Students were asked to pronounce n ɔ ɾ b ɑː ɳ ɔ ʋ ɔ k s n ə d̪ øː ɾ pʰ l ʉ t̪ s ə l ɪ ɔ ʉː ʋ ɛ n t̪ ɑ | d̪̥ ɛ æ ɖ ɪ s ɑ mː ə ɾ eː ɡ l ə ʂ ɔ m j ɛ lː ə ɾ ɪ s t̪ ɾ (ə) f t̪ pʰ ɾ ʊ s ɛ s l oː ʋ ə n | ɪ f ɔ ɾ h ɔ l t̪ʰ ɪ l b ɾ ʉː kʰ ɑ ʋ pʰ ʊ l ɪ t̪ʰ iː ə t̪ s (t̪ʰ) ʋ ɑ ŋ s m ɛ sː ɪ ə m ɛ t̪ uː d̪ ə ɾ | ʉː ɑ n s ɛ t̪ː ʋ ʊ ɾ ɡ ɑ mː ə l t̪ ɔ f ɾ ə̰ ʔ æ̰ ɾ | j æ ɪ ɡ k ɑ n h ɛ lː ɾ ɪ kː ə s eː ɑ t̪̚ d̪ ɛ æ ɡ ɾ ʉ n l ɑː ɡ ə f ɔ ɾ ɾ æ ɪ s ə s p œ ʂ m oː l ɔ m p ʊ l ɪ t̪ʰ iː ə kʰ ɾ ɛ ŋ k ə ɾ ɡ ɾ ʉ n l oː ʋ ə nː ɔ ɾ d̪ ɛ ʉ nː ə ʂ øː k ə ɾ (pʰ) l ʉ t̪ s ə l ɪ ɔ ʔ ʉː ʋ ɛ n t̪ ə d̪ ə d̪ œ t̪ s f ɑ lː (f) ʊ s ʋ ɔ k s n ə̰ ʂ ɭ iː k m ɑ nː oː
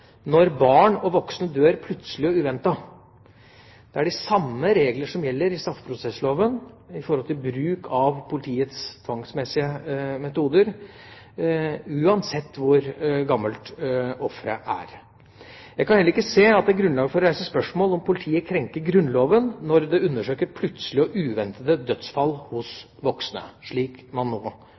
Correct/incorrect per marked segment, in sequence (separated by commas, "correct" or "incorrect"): incorrect, correct, correct, incorrect